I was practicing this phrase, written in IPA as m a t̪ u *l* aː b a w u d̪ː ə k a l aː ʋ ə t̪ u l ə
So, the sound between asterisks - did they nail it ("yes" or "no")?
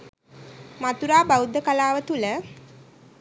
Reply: no